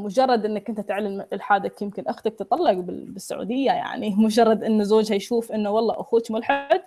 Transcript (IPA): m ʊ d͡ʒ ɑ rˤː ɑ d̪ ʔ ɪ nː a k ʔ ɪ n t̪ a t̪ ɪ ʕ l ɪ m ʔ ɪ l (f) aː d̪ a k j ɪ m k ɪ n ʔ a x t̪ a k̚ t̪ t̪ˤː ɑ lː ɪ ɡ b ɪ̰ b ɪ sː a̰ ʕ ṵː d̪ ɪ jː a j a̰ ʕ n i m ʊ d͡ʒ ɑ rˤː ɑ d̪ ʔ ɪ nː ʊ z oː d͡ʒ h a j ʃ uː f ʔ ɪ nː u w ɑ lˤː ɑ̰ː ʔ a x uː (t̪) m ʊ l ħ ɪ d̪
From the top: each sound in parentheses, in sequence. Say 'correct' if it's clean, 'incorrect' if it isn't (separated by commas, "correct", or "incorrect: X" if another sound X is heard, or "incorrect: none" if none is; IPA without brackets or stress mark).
incorrect: ħ, correct